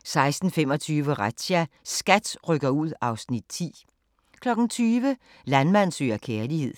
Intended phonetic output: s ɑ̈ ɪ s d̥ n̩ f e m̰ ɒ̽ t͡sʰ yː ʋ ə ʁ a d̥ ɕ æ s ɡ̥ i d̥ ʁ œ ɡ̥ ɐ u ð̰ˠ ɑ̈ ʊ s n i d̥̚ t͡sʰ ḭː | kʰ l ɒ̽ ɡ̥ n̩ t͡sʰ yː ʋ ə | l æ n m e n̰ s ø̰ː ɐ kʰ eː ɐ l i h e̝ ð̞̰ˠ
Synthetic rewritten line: s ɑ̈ ɪ s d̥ n̩ f e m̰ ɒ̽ t͡sʰ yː ʋ ə ʁ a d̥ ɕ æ s ɡ̥ æ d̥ ʁ œ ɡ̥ ɐ u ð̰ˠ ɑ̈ ʊ s n i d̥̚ t͡sʰ ḭː | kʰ l ɒ̽ ɡ̥ n̩ t͡sʰ yː ʋ ə | l æ n m æ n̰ s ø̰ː ɐ kʰ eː ɐ l i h e̝ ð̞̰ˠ